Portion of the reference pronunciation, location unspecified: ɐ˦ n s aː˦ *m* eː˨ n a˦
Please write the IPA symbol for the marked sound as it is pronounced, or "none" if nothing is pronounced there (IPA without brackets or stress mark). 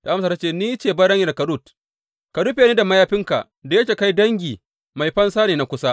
n